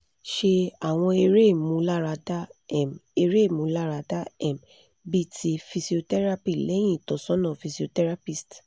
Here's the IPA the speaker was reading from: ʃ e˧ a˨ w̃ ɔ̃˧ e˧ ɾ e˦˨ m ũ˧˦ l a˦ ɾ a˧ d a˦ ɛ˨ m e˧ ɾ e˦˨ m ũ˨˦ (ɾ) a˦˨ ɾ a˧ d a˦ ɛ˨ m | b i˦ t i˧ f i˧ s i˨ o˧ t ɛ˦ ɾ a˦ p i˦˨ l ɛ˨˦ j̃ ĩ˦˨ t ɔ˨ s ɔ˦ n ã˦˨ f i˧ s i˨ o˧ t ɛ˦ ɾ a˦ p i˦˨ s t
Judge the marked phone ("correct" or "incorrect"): incorrect